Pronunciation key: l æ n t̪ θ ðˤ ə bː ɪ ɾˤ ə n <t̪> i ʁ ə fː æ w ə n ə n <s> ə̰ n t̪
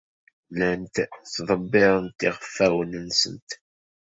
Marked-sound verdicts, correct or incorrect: correct, correct

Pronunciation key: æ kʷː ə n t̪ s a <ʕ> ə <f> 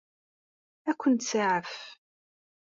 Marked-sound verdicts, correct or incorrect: correct, correct

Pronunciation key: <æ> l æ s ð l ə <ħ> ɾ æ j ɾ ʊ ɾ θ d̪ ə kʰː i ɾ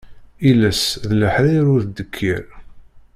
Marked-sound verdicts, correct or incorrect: incorrect, correct

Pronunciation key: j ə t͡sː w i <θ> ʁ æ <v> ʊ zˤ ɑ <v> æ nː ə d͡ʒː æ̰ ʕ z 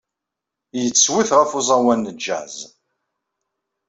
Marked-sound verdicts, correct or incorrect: correct, incorrect, incorrect

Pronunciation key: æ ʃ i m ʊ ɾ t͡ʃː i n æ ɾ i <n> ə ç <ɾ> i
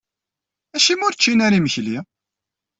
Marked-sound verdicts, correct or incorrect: incorrect, incorrect

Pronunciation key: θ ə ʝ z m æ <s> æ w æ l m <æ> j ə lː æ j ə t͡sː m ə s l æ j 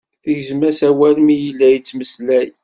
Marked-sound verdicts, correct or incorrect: correct, incorrect

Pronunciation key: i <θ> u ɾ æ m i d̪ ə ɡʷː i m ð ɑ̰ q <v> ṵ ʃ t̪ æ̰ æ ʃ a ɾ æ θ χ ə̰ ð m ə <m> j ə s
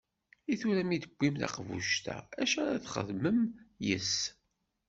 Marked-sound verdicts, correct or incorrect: correct, correct, correct

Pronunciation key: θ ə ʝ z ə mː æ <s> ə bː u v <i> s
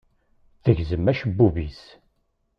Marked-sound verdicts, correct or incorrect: incorrect, correct

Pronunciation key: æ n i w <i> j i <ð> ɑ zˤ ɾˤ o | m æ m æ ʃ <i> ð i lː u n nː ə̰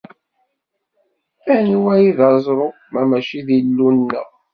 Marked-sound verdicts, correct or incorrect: incorrect, correct, correct

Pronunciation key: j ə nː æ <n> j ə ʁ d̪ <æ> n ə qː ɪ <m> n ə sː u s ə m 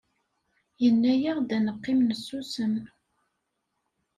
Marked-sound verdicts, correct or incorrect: incorrect, correct, correct

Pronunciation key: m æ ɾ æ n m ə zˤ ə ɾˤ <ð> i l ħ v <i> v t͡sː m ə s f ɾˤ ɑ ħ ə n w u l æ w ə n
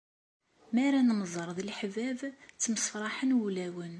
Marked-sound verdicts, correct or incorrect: correct, incorrect

